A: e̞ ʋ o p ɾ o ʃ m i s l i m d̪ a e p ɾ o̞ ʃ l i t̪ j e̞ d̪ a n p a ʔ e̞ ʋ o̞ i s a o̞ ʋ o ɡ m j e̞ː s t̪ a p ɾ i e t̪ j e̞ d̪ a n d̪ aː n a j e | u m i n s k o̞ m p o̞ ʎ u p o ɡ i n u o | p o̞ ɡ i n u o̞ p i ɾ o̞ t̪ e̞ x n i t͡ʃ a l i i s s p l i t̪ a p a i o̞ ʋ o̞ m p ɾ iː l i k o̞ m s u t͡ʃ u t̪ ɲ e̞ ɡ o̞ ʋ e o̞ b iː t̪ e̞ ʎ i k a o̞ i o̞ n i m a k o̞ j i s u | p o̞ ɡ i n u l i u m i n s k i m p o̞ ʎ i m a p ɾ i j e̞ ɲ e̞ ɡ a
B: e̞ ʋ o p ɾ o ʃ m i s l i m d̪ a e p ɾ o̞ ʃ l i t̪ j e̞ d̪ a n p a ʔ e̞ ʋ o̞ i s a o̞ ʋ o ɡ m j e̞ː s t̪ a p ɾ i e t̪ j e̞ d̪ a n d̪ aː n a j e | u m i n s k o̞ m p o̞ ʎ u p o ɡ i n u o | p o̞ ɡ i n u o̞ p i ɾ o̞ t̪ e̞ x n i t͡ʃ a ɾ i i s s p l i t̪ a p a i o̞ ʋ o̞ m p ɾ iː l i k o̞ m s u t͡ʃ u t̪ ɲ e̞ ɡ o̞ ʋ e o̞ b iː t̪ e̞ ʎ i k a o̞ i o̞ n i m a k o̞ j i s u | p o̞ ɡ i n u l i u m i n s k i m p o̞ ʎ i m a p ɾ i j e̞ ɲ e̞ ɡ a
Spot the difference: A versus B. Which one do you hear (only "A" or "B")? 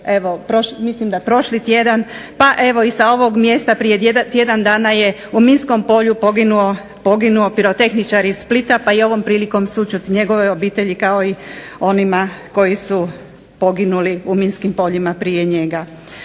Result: B